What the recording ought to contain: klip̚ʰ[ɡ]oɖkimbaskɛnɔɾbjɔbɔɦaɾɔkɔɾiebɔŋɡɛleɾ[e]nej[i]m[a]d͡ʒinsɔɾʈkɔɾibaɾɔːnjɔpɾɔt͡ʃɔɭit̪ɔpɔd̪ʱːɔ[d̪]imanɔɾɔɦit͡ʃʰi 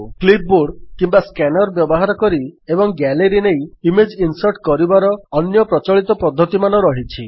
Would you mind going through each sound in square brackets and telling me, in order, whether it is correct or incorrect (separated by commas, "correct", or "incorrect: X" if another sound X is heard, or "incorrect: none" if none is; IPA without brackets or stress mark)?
incorrect: b, incorrect: i, correct, incorrect: e, incorrect: t̪